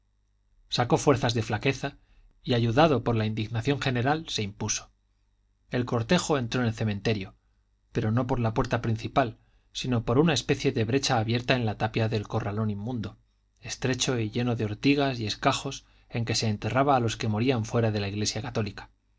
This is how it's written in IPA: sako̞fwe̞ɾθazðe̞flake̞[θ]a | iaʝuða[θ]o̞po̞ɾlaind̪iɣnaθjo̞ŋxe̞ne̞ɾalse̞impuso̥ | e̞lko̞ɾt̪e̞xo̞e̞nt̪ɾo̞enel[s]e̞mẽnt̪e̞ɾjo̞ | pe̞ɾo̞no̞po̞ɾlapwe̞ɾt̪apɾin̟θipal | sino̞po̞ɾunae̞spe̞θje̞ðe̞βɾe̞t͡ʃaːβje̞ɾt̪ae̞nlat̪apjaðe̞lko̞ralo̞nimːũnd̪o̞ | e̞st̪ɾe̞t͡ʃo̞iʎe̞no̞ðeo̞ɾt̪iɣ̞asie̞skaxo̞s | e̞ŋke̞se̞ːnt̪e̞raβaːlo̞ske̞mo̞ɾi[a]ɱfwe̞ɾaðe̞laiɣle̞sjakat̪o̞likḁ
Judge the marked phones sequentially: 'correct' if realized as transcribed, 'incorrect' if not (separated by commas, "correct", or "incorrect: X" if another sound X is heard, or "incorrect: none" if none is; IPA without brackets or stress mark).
correct, incorrect: ð, incorrect: θ, correct